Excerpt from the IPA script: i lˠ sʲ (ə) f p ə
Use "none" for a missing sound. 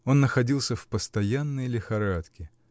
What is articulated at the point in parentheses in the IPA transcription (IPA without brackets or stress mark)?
ə